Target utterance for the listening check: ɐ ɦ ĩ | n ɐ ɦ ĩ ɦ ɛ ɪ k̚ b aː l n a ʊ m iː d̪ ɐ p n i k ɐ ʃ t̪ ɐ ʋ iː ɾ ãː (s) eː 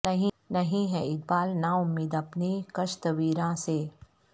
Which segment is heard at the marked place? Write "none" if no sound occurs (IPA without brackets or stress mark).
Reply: s